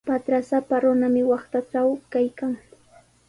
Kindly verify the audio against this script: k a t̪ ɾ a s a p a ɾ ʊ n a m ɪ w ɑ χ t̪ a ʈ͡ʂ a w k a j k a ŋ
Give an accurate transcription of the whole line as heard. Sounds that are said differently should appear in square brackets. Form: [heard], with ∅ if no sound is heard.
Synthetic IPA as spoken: [p] a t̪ ɾ a s a p a ɾ ʊ n a m ɪ w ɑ χ t̪ a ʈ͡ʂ a w k a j k a ŋ